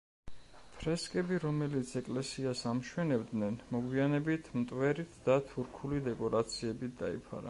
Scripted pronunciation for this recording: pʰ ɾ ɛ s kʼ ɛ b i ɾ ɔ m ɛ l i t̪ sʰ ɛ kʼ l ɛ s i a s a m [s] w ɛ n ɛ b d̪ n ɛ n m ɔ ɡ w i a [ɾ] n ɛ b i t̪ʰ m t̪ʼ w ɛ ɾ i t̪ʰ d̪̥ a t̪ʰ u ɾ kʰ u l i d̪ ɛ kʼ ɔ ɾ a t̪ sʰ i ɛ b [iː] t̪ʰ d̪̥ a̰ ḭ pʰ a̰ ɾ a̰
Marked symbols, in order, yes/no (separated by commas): no, no, no